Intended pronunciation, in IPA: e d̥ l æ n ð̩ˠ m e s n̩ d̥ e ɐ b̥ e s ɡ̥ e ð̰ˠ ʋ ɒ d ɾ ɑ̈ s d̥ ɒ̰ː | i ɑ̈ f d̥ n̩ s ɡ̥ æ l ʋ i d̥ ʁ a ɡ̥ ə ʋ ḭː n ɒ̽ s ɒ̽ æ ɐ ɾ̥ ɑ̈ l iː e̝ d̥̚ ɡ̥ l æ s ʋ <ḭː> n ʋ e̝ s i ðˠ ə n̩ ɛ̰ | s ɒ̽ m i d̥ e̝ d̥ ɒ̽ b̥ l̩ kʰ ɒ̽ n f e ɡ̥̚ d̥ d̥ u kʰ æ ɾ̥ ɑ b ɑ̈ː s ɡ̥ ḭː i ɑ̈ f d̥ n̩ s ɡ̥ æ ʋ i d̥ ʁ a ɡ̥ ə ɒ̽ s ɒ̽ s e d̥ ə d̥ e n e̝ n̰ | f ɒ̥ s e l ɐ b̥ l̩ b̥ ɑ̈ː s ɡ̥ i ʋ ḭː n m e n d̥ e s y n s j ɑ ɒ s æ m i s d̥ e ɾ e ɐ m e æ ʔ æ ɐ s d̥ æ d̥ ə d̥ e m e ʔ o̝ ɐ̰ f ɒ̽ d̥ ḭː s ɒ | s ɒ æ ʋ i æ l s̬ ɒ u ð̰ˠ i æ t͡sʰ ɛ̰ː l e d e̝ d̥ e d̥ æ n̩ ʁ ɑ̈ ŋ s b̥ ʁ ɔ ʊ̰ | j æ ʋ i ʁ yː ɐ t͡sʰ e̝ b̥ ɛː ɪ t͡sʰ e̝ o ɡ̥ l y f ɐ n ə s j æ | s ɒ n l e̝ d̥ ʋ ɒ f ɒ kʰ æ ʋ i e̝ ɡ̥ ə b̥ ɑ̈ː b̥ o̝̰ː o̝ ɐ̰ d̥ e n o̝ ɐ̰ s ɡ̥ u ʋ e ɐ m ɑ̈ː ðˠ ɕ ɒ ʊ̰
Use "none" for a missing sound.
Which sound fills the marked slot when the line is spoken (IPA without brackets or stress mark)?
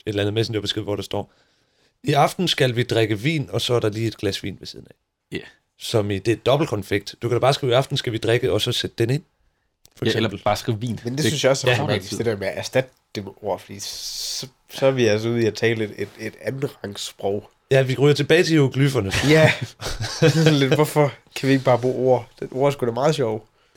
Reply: ḭː